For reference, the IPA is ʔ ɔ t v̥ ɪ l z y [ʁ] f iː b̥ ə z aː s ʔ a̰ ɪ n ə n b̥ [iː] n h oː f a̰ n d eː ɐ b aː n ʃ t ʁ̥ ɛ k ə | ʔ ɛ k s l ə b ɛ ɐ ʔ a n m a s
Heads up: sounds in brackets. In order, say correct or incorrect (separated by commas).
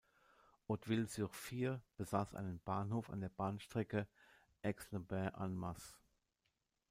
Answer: correct, incorrect